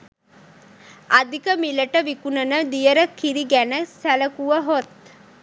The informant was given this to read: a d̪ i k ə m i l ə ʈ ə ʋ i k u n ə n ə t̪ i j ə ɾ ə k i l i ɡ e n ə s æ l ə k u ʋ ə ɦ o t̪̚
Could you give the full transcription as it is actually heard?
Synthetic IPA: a d̪ i k ə m i l ə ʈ ə ʋ i k u n ə n ə d̪ i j ə ɾ ə k i ɾ i ɡ æ n ə s æ l ə k u ʋ ə ɦ o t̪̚